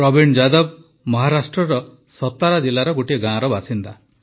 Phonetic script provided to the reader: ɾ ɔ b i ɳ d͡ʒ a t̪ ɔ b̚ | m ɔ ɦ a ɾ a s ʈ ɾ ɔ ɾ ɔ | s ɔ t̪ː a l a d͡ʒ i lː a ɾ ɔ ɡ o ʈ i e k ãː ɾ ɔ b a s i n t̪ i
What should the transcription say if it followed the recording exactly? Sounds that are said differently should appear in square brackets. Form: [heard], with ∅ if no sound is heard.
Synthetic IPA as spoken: ɾ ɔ b i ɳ d͡ʒ a [d̪] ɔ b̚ | m ɔ ɦ a ɾ a s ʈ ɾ ɔ ɾ ɔ | s ɔ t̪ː a [ɾ] a d͡ʒ i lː a ɾ ɔ ɡ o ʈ i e [ɡ] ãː ɾ ɔ b a s i n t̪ [a]

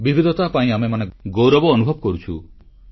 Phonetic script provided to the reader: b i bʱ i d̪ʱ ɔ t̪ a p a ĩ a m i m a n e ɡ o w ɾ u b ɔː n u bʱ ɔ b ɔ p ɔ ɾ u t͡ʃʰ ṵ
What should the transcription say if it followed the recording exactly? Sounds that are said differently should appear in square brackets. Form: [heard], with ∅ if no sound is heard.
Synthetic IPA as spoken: b i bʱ i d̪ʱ ɔ t̪ a p a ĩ a m [e] m a n e ɡ o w ɾ [ɔ] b ɔː n u bʱ ɔ b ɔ [k] ɔ ɾ u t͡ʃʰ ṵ

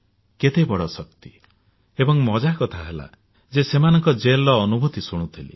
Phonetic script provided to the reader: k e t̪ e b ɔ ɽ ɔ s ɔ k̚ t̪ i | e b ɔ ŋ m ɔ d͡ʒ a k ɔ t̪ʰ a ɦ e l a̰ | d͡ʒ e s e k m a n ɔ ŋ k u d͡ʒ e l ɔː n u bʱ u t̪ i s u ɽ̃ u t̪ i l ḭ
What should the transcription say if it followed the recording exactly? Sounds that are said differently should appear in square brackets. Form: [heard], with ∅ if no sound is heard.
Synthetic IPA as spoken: k e t̪ e b ɔ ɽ ɔ s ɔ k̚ t̪ i | e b ɔ ŋ m ɔ d͡ʒ a k ɔ t̪ʰ a ɦ e l a̰ | d͡ʒ e s e [∅] m a n ɔ ŋ k [ɔ] d͡ʒ e l ɔː n u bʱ u t̪ i s u ɽ̃ u [t̪ʰ] i l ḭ

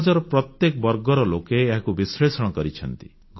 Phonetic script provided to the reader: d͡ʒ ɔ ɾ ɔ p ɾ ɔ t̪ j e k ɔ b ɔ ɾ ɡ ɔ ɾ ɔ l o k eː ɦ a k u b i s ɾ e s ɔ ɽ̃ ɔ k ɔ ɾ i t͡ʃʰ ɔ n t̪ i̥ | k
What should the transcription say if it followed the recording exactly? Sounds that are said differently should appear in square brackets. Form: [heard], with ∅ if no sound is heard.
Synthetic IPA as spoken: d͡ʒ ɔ ɾ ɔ p ɾ ɔ t̪ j e k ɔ b ɔ ɾ ɡ ɔ ɾ ɔ l o k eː ɦ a k u b i s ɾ e s ɔ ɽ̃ ɔ k ɔ ɾ i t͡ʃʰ ɔ n t̪ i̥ | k

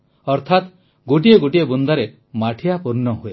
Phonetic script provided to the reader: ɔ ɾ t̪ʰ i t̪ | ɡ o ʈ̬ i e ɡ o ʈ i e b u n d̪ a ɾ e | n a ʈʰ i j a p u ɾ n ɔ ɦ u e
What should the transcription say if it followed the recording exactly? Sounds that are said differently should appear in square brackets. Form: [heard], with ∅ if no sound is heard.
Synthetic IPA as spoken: ɔ ɾ t̪ʰ [a] t̪ | ɡ o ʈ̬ i e ɡ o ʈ i e b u n d̪ a ɾ e | [m] a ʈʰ i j a p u ɾ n ɔ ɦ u e

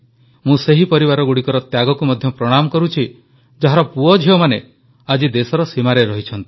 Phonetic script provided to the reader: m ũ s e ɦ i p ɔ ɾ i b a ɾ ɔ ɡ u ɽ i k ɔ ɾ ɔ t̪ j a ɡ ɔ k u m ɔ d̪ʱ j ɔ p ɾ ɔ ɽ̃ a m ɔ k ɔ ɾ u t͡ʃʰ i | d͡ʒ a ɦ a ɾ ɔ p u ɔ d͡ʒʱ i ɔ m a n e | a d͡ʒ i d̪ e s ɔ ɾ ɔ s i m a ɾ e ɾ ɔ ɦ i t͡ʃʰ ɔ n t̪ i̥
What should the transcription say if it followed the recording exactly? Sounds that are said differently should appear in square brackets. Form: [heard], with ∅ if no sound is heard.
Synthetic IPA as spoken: m ũ s e ɦ i p ɔ ɾ i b a ɾ ɔ ɡ u ɽ i k ɔ ɾ ɔ t̪ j a ɡ ɔ k u m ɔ d̪ʱ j ɔ p ɾ ɔ ɽ̃ a m ɔ k ɔ ɾ u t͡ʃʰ i | d͡ʒ a ɦ a ɾ ɔ p u ɔ d͡ʒʱ i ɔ m a n e | a d͡ʒ i d̪ e s ɔ ɾ ɔ s i m a ɾ e ɾ ɔ ɦ i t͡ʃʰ ɔ n t̪ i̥

